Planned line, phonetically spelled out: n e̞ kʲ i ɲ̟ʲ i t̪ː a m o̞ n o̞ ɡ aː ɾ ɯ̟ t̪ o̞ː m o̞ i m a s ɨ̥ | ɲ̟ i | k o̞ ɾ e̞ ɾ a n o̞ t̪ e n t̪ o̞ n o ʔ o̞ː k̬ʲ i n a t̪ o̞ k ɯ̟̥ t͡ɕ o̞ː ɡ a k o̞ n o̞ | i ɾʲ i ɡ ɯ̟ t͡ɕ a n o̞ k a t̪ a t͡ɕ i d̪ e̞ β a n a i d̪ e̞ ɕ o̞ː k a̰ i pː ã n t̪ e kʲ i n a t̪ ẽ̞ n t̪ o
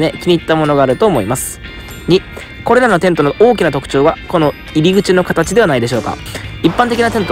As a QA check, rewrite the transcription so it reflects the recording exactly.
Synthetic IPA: n e̞ kʲ i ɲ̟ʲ i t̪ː a m o̞ n o̞ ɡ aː ɾ ɯ̟ t̪ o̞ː m o̞ i m a s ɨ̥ | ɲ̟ i | k o̞ ɾ e̞ ɾ a n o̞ t̪ e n t̪ o̞ n o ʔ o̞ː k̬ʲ i n a t̪ o̞ k ɯ̟̥ t͡ɕ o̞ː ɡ a k o̞ n o̞ | i ɾʲ i ɡ ɯ̟ t͡ɕ i n o̞ k a t̪ a t͡ɕ i d̪ e̞ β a n a i d̪ e̞ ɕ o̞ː k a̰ i pː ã n t̪ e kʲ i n a t̪ ẽ̞ n t̪ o